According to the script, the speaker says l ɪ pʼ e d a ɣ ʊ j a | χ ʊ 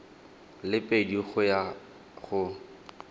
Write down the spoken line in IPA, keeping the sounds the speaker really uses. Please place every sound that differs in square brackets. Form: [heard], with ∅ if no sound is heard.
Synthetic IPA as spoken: l ɪ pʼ e d [i] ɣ ʊ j a | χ ʊ

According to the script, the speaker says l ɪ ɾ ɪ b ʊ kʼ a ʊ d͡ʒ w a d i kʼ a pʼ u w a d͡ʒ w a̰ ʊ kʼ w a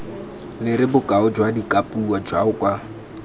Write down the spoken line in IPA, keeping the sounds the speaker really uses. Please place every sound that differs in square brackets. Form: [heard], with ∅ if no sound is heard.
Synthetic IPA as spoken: l ɪ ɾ ɪ b ʊ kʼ a ʊ d͡ʒ w a d i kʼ a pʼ u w a d͡ʒ w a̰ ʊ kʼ w a

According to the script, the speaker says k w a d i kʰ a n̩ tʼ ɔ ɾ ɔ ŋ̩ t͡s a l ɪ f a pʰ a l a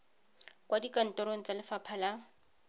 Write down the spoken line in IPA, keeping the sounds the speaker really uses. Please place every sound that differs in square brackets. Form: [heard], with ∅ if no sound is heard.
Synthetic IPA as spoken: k w a d i [k] a n̩ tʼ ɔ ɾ [o] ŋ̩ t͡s a l ɪ f a pʰ a l a

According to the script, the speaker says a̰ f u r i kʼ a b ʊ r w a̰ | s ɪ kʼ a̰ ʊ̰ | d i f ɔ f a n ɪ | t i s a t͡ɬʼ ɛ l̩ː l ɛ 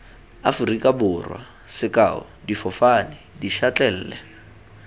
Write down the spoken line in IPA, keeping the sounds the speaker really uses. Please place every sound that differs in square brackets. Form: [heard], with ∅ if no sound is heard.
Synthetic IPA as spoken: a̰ f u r i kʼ a b ʊ r w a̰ | s ɪ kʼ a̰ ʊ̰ | d i f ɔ f a n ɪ | [d] i [ʃ] a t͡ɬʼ ɛ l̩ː l ɛ

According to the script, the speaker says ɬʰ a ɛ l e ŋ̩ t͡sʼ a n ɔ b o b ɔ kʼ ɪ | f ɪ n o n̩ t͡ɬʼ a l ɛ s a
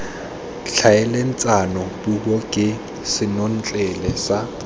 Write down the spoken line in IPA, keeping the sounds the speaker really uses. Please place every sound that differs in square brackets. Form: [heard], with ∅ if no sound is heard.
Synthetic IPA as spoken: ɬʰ a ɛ l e [n̩] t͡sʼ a n ɔ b [u] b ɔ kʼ ɪ | [s] ɪ n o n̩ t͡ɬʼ [ɛ] l ɛ s a

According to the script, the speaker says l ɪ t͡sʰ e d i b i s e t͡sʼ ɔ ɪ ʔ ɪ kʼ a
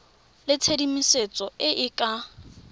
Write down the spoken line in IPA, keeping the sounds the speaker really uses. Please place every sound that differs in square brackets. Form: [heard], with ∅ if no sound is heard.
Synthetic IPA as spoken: l ɪ t͡sʰ e d i [m] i s e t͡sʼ ɔ ɪ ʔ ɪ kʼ a

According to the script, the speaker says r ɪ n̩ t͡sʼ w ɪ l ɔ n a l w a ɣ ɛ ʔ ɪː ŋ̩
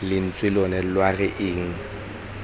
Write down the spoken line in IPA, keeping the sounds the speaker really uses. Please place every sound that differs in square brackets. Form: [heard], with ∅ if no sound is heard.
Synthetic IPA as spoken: [l] ɪ n̩ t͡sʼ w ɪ l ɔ n [ɛ] l w a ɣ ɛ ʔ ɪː ŋ̩

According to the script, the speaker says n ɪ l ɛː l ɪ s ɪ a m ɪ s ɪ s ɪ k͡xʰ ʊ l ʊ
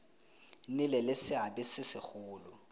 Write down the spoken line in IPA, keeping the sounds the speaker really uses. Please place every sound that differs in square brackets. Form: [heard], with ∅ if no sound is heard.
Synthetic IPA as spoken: n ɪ l [ɛ] l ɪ s ɪ a [b] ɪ s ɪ s ɪ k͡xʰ [ʊː] l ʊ

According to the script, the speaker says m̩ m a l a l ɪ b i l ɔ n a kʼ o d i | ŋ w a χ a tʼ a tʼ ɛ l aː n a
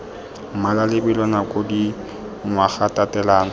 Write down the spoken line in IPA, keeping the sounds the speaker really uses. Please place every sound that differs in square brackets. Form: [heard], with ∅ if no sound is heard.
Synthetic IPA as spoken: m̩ m a l a l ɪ b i l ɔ n a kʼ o d i | ŋ w a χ a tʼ a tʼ ɛ l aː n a

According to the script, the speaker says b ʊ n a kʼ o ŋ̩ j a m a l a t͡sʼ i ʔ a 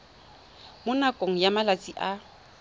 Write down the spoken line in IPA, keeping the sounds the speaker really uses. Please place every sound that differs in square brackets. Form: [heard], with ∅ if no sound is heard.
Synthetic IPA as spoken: [m] ʊ n a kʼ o ŋ̩ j a m a l a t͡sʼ i ʔ a

